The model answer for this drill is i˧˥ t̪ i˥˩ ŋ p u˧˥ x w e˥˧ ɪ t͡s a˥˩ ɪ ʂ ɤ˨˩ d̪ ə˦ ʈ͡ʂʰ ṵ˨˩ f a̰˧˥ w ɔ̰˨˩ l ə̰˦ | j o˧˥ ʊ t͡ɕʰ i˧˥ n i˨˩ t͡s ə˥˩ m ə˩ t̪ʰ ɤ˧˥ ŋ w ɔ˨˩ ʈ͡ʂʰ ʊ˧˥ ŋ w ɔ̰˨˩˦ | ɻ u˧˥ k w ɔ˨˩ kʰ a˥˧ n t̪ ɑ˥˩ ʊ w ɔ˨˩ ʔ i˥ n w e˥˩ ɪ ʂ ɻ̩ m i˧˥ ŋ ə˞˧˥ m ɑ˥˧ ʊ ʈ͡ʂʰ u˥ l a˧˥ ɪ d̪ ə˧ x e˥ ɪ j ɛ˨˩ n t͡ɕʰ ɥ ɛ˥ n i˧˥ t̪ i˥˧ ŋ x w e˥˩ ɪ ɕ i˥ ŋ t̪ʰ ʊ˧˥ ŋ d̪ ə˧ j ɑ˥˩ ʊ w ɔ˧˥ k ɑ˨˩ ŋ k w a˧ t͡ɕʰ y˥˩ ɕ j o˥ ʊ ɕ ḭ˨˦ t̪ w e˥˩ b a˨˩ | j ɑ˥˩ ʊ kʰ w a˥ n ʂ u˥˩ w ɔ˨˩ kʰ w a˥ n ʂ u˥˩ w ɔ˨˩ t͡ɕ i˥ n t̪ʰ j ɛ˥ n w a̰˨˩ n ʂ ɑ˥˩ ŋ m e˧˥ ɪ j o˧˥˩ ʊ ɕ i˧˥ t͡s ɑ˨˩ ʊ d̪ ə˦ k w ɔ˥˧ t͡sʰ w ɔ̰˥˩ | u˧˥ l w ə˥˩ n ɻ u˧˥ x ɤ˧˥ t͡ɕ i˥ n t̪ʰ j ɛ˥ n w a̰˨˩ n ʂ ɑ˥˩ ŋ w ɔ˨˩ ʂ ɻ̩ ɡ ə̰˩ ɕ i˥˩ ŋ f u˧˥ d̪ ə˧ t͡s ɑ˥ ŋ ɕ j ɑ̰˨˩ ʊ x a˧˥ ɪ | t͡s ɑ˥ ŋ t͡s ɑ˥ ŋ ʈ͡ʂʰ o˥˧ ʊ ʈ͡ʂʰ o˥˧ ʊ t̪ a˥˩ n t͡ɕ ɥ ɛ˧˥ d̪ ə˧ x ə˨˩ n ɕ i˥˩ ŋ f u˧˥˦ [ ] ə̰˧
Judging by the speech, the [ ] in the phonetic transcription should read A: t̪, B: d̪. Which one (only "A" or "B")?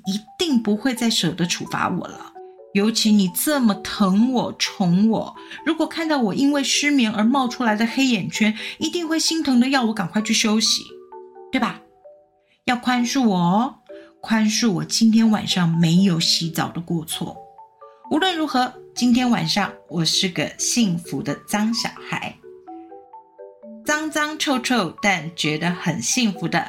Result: B